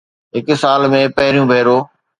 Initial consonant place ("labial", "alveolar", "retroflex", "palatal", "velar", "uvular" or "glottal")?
glottal